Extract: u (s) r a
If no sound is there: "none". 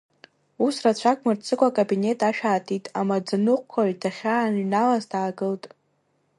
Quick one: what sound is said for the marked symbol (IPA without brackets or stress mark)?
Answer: s